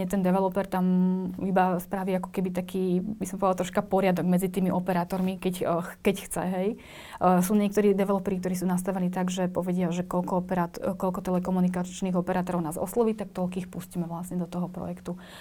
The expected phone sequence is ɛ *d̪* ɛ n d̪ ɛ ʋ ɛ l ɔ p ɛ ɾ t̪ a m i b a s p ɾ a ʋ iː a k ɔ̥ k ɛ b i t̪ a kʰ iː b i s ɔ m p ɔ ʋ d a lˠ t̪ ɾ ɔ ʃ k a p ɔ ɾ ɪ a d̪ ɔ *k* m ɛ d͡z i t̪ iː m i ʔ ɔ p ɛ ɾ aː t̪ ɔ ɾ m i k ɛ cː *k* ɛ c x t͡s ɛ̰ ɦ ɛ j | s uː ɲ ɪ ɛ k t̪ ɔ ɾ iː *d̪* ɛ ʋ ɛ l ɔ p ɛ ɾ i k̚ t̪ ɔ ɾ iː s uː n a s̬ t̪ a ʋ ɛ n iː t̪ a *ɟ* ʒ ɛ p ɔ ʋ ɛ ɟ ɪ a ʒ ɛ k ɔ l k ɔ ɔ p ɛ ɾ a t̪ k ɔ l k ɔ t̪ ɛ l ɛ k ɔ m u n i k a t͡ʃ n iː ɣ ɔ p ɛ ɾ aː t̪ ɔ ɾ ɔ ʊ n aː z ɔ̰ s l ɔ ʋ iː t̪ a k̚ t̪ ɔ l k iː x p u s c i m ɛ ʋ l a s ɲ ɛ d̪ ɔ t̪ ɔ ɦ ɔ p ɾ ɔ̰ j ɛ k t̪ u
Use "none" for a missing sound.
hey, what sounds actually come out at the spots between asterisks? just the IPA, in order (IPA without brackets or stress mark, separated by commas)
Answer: t̪, ɡ, k, d̪, ɡ